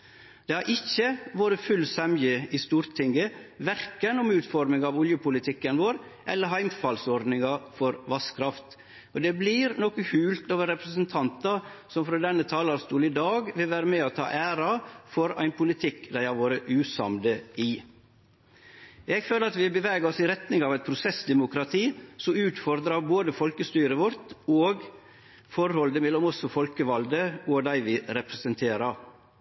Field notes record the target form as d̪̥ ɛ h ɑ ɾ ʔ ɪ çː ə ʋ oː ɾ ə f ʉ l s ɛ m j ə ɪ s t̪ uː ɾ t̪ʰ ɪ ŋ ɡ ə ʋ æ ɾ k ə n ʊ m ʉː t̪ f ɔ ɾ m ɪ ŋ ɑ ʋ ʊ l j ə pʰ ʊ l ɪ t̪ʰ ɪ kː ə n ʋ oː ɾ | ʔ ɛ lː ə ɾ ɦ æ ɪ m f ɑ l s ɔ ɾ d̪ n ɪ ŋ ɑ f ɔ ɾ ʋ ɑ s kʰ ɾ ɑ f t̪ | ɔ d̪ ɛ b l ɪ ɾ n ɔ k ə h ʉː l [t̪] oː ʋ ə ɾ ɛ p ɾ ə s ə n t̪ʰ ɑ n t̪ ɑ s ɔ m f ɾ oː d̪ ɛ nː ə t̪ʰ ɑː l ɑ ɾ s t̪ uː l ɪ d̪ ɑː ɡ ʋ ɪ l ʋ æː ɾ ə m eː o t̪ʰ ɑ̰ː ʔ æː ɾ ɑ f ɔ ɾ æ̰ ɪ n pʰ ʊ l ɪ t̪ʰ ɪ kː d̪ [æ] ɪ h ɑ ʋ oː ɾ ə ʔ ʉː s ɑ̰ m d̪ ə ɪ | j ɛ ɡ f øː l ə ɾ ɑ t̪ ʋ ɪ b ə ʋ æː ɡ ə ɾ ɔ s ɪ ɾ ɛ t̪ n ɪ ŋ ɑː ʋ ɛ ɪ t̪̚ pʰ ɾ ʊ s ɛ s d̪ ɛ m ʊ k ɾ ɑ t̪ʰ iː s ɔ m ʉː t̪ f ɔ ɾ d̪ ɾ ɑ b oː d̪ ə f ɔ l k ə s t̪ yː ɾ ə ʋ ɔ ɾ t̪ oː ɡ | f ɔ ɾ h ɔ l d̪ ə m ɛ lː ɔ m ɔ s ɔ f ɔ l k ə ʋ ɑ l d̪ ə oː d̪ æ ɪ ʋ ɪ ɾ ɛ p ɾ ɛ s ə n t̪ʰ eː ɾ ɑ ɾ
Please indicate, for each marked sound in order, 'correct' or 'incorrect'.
correct, correct

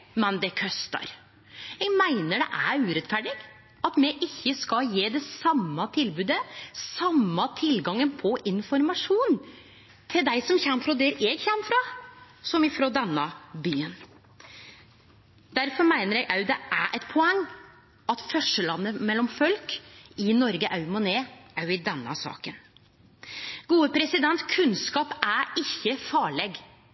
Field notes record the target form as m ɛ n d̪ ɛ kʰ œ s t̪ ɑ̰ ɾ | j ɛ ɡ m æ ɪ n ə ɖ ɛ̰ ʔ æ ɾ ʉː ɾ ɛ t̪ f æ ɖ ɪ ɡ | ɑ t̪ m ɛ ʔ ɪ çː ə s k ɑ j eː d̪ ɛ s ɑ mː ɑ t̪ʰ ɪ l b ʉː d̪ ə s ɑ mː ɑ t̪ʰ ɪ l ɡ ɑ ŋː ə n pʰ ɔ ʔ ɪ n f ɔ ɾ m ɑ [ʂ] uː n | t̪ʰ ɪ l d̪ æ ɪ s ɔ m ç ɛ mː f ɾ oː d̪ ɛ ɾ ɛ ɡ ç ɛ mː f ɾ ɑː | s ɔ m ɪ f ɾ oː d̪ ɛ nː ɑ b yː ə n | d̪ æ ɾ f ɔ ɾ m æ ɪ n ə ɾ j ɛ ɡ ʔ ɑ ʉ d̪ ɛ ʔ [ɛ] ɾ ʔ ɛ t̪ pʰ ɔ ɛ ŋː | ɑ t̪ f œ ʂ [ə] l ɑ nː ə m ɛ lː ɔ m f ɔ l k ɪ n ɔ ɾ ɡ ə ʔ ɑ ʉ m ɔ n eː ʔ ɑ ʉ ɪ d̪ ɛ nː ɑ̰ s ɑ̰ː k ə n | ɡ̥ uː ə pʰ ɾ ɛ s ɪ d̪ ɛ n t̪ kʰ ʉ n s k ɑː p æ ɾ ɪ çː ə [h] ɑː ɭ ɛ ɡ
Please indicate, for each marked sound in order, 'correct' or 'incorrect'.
correct, incorrect: æ, correct, incorrect: f

